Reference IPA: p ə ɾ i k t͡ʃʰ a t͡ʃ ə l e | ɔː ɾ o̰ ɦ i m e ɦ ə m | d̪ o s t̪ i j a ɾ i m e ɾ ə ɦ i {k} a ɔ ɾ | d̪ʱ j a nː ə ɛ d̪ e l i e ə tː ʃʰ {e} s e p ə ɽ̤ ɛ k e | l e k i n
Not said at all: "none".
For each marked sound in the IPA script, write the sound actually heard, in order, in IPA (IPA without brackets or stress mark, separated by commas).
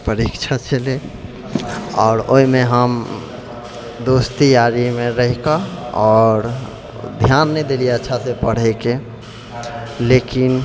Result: k, a